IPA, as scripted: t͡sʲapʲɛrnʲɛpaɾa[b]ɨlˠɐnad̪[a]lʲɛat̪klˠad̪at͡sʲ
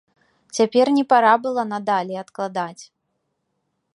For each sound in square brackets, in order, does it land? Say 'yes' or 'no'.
yes, yes

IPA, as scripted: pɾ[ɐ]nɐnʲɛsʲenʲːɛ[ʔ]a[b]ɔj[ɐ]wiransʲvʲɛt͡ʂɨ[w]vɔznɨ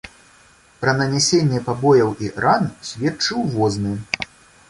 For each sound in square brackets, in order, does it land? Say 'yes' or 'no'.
yes, no, yes, yes, yes

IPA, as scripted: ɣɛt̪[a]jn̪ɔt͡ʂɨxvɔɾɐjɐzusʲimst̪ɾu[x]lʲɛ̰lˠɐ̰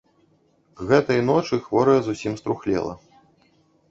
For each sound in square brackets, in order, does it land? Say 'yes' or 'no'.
no, yes

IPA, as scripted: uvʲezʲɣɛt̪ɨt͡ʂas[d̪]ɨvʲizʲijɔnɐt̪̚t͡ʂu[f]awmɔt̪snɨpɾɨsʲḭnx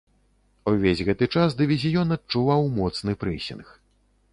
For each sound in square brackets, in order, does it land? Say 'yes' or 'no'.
yes, no

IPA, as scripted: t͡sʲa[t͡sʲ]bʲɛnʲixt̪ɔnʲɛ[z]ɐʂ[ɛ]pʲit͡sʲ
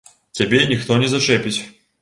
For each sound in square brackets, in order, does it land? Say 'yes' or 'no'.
no, yes, yes

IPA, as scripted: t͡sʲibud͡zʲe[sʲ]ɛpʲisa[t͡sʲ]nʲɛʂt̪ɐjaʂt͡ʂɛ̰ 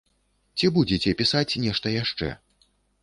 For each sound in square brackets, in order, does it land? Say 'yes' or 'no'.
no, yes

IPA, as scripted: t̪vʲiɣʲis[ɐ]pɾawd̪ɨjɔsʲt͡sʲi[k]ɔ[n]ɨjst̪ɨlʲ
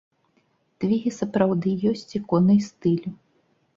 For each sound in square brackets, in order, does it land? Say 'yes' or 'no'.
yes, yes, yes

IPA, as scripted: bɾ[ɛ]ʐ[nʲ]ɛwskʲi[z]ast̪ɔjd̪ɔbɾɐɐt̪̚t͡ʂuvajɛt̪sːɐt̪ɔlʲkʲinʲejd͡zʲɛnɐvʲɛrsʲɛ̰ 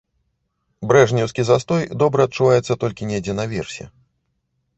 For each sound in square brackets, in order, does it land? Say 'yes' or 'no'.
yes, yes, yes

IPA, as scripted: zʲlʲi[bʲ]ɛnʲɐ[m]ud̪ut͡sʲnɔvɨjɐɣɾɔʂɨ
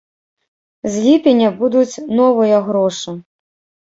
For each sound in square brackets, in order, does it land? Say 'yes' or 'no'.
no, no

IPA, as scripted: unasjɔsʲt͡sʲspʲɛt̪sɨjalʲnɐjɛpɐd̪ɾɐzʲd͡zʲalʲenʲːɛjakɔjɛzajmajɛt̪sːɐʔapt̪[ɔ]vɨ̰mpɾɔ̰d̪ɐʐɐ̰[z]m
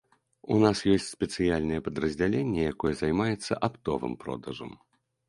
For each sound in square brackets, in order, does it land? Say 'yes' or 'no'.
yes, no

